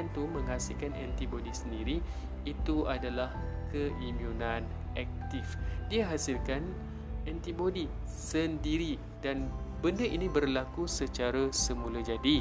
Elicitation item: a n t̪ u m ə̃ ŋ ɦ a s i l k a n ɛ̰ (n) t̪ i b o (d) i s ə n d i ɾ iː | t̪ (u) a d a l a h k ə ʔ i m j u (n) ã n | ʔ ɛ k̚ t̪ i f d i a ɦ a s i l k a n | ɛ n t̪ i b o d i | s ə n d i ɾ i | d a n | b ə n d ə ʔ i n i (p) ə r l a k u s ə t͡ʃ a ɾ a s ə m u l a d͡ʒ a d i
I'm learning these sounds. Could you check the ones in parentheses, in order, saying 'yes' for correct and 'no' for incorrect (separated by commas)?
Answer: yes, yes, yes, yes, no